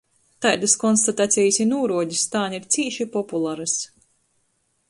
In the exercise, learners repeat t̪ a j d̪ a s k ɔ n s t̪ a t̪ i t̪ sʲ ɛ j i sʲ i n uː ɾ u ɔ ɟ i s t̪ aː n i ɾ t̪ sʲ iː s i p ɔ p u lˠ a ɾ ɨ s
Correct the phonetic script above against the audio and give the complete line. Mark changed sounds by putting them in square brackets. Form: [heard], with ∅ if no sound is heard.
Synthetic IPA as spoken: t̪ a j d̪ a s k ɔ n s t̪ a t̪ [a] t̪ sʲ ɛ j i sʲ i n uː ɾ u ɔ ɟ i s t̪ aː n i ɾ t̪ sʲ iː [ʃ] i p ɔ p u lˠ a ɾ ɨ s